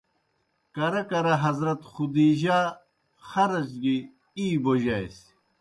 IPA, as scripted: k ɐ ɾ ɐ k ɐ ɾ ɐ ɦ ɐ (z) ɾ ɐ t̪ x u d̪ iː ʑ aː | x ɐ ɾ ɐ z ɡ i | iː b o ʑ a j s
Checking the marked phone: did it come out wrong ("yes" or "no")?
no